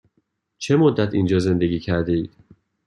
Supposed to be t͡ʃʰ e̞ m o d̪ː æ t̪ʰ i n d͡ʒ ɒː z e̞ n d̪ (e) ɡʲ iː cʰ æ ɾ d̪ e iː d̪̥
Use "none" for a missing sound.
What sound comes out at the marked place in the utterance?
e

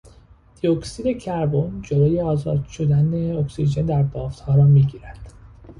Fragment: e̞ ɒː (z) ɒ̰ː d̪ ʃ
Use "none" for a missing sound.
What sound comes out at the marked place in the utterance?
z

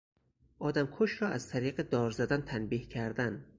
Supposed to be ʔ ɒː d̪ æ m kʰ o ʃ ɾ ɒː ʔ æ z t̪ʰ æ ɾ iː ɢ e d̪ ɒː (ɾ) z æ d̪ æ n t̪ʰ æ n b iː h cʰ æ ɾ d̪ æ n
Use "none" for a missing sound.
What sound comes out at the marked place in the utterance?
ɾ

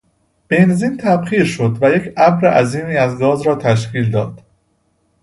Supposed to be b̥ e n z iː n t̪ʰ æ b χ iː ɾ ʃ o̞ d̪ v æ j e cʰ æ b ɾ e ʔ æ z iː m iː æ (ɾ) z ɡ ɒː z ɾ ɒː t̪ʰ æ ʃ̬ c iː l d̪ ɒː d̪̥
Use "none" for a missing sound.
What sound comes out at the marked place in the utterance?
none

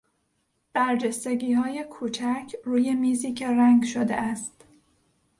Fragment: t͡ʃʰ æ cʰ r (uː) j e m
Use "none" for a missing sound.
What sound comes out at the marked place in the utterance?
uː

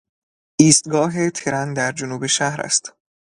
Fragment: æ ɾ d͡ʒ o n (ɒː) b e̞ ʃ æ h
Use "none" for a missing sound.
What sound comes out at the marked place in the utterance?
uː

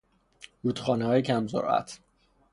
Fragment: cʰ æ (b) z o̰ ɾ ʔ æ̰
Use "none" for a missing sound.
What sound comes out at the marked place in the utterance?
m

